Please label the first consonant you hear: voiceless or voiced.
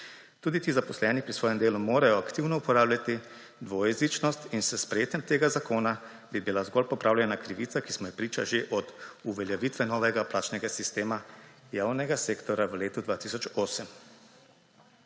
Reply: voiceless